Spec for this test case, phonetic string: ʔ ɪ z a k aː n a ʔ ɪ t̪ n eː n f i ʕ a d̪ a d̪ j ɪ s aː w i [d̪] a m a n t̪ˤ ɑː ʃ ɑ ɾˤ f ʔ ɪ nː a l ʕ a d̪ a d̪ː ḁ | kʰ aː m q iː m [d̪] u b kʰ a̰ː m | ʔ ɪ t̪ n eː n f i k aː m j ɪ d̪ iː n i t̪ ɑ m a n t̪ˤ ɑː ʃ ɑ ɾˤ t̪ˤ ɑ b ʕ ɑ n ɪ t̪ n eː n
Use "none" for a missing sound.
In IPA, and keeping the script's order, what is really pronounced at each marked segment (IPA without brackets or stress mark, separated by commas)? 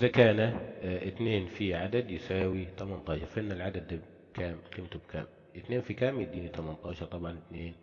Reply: t̪, t̪